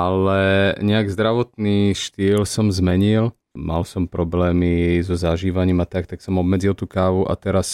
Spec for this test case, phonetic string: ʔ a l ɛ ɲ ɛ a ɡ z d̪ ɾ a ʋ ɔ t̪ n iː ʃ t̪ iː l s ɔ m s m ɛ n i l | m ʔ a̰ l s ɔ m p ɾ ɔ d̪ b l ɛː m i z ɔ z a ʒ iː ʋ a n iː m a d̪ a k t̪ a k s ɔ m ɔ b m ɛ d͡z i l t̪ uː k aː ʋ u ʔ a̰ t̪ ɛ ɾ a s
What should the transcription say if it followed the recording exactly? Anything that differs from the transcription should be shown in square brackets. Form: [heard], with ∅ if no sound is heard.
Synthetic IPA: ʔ a l ɛ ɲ ɛ a ɡ z d̪ ɾ a ʋ ɔ t̪ n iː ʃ t̪ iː l s ɔ m [z] m ɛ [ɲ] i l | m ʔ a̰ l s ɔ m p ɾ ɔ [∅] b l ɛː m i z ɔ z a ʒ iː ʋ a [ɲ] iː m a [t̪] a k t̪ a k s ɔ m ɔ b m ɛ d͡z i l t̪ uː k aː ʋ u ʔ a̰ t̪ ɛ ɾ a s